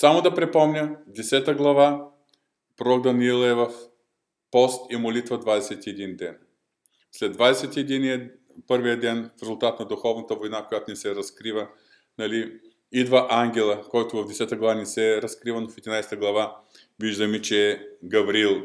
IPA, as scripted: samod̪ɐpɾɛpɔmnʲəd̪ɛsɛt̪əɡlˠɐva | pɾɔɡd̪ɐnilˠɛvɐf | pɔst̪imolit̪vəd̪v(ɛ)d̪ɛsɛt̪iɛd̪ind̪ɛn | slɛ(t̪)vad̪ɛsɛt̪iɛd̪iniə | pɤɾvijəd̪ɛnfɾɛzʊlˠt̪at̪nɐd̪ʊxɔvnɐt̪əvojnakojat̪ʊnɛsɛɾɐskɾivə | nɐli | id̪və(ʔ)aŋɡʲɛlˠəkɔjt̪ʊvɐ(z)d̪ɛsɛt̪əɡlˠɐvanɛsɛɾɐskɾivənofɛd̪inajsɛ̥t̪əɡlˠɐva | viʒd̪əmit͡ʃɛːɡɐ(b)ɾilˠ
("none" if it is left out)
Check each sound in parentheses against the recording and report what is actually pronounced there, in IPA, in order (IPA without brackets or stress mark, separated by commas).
a, d̪, ʔ, v, v